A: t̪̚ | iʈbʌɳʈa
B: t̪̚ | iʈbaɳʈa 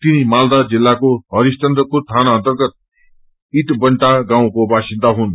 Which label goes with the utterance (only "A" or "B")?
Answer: A